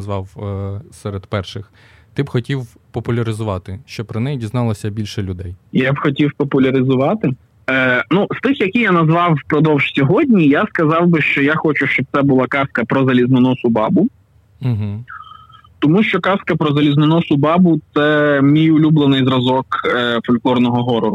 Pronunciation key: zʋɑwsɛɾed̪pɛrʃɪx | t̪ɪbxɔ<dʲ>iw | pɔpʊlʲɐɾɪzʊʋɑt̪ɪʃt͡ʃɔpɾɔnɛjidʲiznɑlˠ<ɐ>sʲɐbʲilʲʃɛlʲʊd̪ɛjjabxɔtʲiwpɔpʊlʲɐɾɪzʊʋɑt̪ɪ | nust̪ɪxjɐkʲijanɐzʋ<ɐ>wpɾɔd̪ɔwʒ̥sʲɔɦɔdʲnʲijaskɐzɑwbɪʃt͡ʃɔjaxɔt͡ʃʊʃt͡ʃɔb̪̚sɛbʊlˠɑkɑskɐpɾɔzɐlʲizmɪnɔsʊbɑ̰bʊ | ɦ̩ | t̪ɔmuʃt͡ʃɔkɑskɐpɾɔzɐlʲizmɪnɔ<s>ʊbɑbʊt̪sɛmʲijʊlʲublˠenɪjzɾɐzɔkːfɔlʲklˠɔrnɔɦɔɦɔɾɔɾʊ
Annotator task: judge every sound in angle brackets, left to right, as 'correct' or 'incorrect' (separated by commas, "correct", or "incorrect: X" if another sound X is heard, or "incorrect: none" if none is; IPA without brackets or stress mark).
incorrect: tʲ, correct, incorrect: ɑ, correct